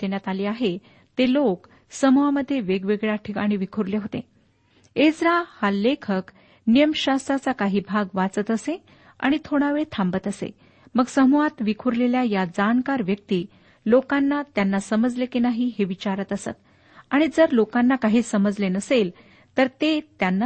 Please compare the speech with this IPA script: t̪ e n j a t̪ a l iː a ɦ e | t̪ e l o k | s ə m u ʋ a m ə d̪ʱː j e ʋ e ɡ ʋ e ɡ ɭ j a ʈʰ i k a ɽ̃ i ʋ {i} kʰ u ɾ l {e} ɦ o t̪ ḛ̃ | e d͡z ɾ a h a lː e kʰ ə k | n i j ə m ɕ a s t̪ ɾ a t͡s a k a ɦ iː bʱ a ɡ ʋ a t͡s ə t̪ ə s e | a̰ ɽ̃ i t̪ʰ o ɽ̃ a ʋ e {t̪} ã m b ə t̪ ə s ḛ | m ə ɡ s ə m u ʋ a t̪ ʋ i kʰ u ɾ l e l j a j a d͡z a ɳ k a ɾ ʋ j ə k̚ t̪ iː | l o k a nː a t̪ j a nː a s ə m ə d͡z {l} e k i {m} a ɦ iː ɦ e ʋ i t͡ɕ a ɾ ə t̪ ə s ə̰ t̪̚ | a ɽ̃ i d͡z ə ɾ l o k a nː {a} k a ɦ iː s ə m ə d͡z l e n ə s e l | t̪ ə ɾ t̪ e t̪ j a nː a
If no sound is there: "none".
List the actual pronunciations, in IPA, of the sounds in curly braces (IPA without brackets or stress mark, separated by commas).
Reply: i, e, t̪ʰ, l, n, a